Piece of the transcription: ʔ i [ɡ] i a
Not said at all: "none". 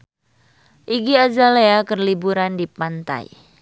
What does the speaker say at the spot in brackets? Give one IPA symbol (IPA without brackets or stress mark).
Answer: ɡ